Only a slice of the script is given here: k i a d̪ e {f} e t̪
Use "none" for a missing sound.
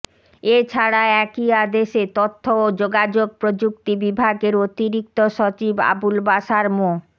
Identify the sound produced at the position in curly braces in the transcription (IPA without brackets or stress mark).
ʃ